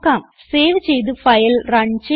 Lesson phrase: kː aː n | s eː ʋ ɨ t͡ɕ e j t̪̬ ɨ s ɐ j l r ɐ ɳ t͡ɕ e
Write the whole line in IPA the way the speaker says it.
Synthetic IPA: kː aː m | s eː ʋ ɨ t͡ɕ e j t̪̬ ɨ f ɐ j l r ɐ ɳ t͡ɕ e